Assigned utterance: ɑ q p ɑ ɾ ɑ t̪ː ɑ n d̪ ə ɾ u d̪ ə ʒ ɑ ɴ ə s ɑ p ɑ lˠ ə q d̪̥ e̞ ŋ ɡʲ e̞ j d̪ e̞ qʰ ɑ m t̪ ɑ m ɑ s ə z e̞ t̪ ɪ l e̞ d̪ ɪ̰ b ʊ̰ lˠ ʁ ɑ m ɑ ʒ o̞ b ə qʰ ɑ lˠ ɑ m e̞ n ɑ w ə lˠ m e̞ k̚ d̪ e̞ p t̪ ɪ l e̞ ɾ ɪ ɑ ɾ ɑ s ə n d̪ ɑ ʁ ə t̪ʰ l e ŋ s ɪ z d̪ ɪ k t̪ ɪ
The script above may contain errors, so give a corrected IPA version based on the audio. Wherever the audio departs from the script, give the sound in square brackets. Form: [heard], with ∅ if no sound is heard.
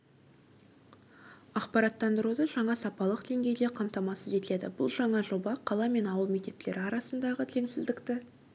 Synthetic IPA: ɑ q p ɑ ɾ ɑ t̪ː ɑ n d̪ ə ɾ u d̪ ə ʒ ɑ ɴ [ɑ] s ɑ p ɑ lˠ ə q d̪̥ e̞ ŋ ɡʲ e̞ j d̪ e̞ qʰ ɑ m t̪ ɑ m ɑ s ə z e̞ t̪ ɪ l e̞ d̪ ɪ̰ b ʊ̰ lˠ [ʒ] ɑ [ɴ] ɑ ʒ o̞ b [ɑ] qʰ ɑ lˠ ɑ m e̞ n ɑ w ə lˠ m e̞ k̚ [t̪] e̞ p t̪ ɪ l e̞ ɾ ɪ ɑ ɾ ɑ s ə n d̪ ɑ ʁ ə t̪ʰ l e ŋ s ɪ z d̪ ɪ k t̪ ɪ